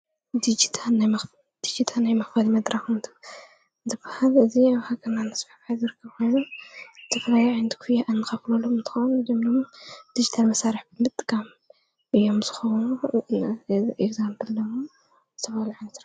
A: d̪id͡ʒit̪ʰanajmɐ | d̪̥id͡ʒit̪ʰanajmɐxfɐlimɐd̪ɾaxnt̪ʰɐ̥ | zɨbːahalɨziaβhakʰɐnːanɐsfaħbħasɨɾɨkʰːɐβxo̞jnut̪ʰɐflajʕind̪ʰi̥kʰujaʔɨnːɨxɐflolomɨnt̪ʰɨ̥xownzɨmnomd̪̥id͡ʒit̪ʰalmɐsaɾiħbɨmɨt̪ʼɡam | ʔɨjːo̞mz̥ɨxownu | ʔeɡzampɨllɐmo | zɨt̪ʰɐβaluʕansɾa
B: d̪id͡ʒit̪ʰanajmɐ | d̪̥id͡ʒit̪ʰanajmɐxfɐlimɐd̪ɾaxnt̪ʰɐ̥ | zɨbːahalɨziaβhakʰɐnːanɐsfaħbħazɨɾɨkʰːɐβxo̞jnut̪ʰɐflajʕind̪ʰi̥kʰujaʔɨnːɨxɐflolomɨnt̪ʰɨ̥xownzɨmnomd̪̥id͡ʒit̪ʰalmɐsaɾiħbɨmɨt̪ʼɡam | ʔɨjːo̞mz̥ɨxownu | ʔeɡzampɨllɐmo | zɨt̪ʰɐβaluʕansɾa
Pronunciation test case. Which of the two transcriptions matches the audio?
B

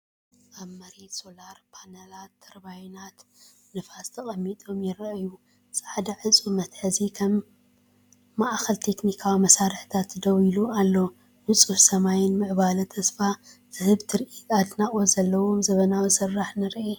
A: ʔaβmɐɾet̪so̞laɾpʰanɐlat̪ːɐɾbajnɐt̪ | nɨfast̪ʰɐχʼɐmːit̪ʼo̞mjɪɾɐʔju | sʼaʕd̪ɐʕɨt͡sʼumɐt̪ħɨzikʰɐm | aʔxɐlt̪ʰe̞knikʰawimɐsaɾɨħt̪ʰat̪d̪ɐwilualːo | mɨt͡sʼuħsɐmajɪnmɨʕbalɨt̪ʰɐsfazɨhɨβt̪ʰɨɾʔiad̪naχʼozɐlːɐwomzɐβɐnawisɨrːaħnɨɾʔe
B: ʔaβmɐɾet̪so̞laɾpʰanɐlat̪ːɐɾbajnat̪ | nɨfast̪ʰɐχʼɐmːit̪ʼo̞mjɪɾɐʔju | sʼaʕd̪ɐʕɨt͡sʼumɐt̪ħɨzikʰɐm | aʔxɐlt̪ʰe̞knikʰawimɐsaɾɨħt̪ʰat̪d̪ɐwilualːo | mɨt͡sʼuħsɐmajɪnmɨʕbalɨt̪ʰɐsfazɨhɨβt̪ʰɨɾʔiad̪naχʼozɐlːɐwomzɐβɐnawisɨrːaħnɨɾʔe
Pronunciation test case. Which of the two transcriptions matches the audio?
B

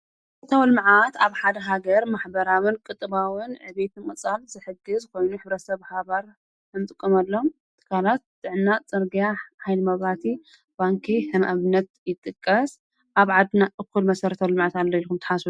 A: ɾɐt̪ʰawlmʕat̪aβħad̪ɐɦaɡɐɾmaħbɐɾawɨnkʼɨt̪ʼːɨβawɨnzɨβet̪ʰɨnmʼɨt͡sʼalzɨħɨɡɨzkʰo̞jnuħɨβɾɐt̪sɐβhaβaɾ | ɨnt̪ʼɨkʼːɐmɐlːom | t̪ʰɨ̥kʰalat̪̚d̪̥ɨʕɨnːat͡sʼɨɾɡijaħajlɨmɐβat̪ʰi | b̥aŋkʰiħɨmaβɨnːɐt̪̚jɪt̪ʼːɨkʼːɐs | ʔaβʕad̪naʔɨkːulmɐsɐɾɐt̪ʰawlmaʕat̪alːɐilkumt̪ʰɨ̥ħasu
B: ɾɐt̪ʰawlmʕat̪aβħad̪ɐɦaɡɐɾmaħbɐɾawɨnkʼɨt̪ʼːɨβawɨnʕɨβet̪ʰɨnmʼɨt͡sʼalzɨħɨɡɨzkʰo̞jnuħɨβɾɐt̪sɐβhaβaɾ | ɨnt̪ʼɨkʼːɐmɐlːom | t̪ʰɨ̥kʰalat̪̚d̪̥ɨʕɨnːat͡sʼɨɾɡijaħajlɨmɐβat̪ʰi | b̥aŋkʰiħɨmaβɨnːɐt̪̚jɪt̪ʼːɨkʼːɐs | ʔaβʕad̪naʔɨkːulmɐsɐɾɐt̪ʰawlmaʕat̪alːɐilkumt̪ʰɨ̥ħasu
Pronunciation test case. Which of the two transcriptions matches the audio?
B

